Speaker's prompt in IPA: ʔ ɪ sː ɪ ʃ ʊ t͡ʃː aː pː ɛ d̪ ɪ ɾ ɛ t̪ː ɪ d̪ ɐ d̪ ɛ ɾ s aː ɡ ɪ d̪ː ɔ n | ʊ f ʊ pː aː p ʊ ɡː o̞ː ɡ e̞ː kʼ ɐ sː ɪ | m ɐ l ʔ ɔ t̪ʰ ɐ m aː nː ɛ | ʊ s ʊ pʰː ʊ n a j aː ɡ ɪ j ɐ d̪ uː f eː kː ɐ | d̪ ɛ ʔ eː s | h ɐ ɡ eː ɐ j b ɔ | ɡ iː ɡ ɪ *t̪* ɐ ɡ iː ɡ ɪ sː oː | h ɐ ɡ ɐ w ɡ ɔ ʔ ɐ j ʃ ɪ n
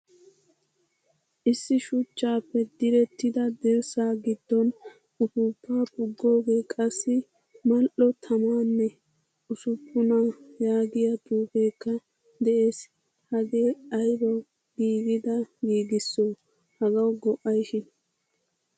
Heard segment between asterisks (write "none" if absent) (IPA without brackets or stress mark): d̪